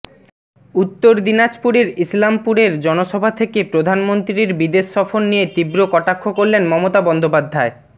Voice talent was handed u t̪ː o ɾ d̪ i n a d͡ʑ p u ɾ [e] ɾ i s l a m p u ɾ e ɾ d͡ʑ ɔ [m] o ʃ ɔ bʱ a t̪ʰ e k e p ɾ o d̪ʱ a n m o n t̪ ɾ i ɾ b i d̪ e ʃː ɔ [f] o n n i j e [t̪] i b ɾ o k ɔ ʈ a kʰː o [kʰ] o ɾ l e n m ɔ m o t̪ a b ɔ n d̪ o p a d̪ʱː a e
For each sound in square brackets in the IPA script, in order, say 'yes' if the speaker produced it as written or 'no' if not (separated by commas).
yes, no, yes, yes, no